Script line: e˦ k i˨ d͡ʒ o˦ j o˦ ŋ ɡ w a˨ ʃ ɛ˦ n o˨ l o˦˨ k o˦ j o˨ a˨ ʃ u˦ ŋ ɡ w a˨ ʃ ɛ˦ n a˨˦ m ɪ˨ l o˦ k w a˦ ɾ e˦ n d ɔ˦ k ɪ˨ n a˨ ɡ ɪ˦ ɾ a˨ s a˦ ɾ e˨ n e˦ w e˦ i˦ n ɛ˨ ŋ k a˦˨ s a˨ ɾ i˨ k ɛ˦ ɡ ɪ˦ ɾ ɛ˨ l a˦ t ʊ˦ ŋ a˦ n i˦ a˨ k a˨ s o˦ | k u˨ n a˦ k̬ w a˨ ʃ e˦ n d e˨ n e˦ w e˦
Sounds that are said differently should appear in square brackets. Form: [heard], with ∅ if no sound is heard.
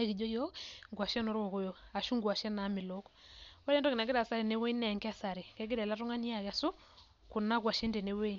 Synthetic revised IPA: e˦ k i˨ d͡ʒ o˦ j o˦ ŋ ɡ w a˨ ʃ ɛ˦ n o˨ [ɾ] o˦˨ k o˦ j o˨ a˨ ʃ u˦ ŋ ɡ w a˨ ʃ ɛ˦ n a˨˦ m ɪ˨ l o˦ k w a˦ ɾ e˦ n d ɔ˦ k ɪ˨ n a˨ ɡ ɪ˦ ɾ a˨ s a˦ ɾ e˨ n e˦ w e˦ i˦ n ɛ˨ ŋ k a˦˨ s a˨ ɾ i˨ k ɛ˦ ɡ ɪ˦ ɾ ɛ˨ l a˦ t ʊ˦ ŋ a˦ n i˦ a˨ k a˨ s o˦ | k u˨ n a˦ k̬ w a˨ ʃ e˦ n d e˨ n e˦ w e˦